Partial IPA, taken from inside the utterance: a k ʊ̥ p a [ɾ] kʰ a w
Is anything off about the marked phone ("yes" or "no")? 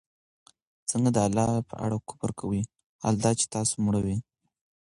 no